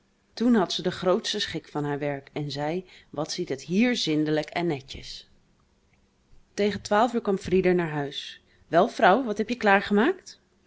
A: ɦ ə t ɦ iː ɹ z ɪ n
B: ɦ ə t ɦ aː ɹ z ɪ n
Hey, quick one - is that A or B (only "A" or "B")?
A